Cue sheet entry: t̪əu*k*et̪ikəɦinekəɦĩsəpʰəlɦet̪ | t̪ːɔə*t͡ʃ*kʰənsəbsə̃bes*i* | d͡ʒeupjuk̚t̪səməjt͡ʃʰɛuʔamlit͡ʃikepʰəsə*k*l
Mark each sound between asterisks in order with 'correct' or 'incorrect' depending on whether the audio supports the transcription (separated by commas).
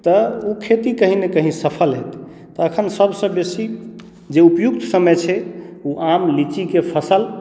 incorrect, incorrect, correct, incorrect